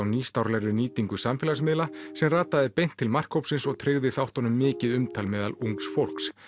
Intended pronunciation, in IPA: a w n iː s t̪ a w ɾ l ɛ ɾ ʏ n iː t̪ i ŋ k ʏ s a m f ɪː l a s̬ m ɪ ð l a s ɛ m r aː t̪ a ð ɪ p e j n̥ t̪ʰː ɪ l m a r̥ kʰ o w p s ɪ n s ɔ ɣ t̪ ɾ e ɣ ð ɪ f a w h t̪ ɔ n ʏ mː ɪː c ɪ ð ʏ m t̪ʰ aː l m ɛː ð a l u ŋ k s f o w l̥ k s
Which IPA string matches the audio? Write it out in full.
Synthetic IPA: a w n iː s t̪ a w ɾ l ɛ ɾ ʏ n iː t̪ i ŋ k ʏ s a m f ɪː l a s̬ m ɪ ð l a s ɛ m r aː t̪ a ð ɪ p e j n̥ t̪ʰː ɪ l m a r̥ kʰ o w p s ɪ n s ɔ ɣ t̪ʰ ɾ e ɣ ð ɪ θ a w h t̪ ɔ n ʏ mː ɪː c ɪ ð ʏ m t̪ʰ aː l m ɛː ð a l u ŋ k s f o w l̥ k s